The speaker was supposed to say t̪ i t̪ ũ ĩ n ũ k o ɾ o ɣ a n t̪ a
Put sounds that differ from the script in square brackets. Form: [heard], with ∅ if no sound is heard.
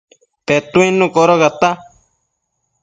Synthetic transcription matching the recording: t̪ [e] t̪ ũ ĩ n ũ k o ɾ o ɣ a [∅] t̪ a